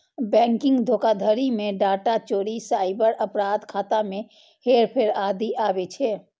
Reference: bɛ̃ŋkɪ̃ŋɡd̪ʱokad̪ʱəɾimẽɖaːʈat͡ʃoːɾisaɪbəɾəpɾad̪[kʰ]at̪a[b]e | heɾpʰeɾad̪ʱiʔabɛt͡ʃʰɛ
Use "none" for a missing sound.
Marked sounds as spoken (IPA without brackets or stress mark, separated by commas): kʰ, m